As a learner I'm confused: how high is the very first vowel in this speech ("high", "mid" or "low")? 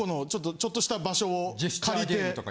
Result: mid